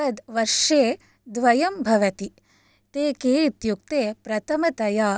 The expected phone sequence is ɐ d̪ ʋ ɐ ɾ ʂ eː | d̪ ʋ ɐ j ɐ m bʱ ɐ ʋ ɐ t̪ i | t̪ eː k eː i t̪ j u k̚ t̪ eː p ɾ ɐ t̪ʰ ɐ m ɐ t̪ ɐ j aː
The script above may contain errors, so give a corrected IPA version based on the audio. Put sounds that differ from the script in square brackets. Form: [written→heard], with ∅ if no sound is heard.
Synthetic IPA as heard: ɐ d̪ ʋ ɐ ɾ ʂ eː | d̪ ʋ ɐ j ɐ m bʱ ɐ ʋ ɐ t̪ i | t̪ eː k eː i t̪ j u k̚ t̪ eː p ɾ ɐ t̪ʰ ɐ m ɐ t̪ ɐ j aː